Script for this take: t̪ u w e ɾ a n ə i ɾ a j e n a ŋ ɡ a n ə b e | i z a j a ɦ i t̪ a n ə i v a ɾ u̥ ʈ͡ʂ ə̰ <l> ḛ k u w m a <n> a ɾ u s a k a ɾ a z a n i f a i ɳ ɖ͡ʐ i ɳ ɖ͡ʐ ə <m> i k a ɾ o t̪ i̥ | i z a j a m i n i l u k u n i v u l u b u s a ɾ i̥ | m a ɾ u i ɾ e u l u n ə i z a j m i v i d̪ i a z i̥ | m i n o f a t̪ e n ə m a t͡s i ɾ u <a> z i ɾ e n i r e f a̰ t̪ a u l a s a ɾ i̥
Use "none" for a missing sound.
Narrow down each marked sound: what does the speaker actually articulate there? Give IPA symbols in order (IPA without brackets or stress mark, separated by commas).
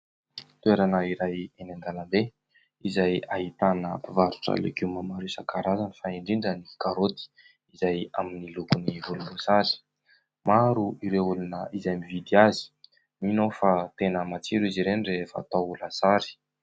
l, m, n, i